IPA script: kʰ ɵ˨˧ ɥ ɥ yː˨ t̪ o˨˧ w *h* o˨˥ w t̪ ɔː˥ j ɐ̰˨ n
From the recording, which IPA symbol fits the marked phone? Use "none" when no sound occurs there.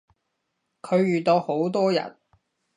h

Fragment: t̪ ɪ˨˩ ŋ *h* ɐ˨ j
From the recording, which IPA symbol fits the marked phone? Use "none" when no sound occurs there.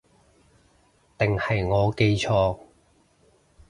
h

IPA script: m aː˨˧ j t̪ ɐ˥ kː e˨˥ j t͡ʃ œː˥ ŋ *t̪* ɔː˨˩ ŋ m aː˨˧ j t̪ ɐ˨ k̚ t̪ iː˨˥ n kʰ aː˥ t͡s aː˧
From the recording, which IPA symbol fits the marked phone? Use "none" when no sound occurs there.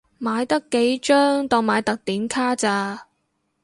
t̪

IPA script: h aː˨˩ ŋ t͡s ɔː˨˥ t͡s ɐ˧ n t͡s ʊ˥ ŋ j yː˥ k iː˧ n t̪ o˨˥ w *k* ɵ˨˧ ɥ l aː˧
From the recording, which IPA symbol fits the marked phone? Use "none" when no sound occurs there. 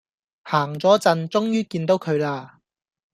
kʰ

